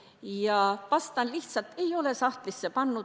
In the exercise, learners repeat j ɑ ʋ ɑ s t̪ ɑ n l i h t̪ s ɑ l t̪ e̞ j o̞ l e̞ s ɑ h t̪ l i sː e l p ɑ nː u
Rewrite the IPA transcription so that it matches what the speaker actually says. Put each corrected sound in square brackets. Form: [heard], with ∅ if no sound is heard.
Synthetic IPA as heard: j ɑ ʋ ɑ s t̪ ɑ n l i h t̪ s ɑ l t̪ e̞ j o̞ l e̞ s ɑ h t̪ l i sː e [∅] p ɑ nː u